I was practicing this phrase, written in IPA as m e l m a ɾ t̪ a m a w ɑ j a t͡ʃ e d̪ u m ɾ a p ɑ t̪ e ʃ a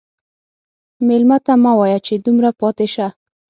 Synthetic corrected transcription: m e l m a t̪ a m a w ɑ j a t͡ʃ e d̪ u m ɾ a p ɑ t̪ e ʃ a